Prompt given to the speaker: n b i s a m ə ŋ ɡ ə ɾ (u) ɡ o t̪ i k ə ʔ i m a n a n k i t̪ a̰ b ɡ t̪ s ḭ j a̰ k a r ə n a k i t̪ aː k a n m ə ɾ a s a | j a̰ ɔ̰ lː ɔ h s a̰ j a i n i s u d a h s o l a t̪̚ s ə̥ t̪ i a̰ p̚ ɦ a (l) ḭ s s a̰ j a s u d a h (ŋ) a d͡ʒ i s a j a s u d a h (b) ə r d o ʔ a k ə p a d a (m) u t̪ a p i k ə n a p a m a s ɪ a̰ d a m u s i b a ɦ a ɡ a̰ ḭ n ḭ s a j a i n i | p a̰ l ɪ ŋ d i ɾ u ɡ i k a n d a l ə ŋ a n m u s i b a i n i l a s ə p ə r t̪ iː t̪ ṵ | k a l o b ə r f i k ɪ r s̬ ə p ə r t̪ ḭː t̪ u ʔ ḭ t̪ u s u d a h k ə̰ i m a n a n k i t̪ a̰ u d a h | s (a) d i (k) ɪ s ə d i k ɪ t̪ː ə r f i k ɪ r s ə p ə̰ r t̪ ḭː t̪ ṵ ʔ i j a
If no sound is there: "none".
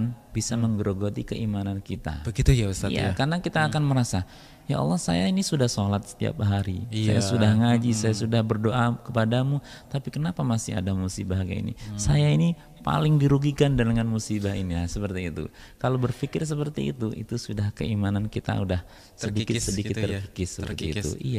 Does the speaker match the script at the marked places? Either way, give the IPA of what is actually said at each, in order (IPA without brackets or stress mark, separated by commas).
o, ɾ, ŋ, b, m, ə, k